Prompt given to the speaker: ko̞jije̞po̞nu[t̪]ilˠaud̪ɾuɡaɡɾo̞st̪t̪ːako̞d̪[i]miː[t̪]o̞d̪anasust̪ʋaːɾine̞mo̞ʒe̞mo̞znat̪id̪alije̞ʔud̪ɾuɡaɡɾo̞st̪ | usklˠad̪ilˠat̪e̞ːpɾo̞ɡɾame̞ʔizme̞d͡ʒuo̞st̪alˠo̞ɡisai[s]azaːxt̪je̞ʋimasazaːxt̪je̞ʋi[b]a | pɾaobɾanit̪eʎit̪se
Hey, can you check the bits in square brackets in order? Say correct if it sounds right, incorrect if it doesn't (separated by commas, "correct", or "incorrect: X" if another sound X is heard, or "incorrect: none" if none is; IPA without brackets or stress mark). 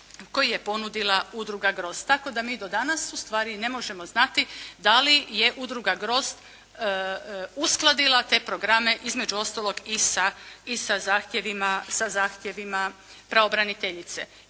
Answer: incorrect: d̪, incorrect: a, incorrect: d̪, correct, incorrect: m